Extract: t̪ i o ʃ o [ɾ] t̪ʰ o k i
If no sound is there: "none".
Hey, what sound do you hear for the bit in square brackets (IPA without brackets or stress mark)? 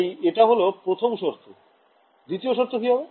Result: ɾ